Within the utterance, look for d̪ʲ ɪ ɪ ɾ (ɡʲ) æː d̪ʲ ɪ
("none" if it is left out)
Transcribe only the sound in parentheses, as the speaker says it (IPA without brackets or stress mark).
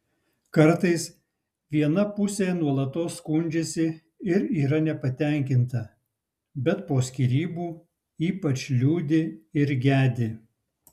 ɡʲ